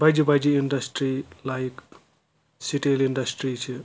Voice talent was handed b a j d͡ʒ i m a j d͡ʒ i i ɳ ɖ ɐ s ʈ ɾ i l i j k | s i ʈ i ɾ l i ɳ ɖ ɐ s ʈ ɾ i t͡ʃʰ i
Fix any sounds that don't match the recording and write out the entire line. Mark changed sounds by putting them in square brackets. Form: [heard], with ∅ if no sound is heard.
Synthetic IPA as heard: b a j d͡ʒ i [b] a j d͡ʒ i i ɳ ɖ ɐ s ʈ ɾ i l [a] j k | s i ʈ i [∅] l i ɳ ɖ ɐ s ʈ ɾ i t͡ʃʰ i